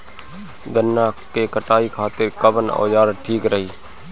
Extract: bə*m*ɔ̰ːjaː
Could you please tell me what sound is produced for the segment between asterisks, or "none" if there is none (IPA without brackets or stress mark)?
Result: n